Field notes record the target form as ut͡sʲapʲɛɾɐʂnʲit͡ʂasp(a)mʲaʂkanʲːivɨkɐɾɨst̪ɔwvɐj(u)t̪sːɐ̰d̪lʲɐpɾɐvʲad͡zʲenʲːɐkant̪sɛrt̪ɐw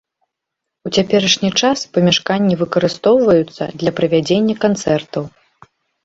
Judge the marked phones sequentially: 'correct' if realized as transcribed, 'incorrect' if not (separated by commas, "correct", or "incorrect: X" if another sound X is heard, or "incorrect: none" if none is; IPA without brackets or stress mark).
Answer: incorrect: ɐ, correct